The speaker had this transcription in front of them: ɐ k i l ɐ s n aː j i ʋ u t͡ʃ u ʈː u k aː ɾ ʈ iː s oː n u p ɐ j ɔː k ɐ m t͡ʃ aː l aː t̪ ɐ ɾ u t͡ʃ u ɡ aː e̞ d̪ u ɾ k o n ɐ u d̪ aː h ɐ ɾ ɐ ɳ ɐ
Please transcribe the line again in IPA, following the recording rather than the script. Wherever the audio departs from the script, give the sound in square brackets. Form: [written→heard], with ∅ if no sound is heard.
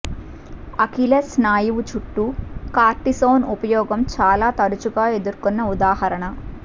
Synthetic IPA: ɐ k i l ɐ s n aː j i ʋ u t͡ʃ u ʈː u k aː ɾ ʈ [iː→i] s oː n u p ɐ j ɔː [k→ɡ] ɐ m t͡ʃ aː l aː t̪ ɐ ɾ u t͡ʃ u ɡ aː e̞ d̪ u ɾ k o [n→nː] ɐ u d̪ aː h ɐ ɾ ɐ ɳ ɐ

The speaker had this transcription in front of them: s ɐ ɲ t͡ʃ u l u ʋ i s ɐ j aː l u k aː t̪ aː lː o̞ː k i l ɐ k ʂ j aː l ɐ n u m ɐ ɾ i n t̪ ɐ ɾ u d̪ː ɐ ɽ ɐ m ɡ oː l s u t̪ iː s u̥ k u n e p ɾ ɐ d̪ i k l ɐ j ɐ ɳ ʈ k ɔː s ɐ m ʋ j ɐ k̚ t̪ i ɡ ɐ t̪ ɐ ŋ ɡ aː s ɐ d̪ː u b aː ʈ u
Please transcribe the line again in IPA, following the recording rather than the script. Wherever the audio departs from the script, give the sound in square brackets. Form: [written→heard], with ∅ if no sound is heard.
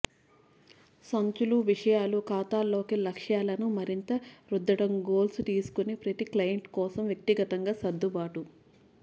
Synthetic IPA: s ɐ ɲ t͡ʃ u l u ʋ i [s→ʂ] ɐ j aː l u k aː t̪ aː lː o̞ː k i l ɐ k ʂ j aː l ɐ n u m ɐ ɾ i n t̪ ɐ ɾ u d̪ː ɐ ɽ ɐ m ɡ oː l s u t̪ iː s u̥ k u n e p ɾ ɐ [d̪→t̪] i k l ɐ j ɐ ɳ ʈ k ɔː s ɐ m ʋ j ɐ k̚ t̪ i ɡ ɐ t̪ ɐ ŋ ɡ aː s ɐ d̪ː u b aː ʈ u

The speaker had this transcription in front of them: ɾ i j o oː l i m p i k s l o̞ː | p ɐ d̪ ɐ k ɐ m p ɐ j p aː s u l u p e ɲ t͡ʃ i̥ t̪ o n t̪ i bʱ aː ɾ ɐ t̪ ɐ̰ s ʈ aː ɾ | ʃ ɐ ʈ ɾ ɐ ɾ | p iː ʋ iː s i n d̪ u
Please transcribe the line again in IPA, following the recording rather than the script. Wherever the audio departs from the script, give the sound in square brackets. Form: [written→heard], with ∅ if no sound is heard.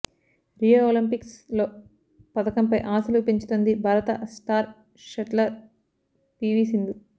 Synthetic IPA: ɾ i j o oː l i m p i k s l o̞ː | p ɐ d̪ ɐ k ɐ m p ɐ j [p→ʔ] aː s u l u p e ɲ t͡ʃ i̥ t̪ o n [t̪→d̪] i bʱ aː ɾ ɐ t̪ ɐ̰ s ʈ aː ɾ | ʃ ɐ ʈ [ɾ→l] ɐ ɾ | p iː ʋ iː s i n d̪ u

